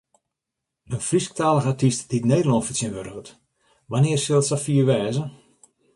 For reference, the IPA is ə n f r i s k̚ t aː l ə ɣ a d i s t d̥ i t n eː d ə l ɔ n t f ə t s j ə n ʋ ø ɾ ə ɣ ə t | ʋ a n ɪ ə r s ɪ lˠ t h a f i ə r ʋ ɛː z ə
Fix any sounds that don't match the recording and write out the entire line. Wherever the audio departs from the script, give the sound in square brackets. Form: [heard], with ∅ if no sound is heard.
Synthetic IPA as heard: ə n f r i s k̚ t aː l ə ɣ a [t] i s t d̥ i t n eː d ə l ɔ n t f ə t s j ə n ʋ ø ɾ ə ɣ ə t | ʋ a n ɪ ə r s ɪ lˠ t [s] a f i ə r ʋ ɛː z ə